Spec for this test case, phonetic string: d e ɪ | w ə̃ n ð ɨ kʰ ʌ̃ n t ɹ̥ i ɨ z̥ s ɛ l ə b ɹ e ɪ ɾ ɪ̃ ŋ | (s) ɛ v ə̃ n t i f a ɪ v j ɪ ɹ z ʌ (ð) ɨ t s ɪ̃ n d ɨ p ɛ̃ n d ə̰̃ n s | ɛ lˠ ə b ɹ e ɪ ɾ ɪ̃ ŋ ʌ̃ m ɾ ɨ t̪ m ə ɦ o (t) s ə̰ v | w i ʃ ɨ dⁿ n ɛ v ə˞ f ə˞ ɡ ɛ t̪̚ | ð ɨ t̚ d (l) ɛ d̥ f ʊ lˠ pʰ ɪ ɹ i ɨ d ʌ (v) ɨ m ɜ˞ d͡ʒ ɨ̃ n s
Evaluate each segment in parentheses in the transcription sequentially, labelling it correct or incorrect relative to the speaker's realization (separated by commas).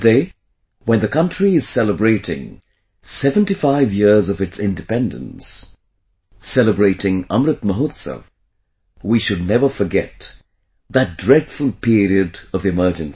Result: correct, incorrect, correct, incorrect, correct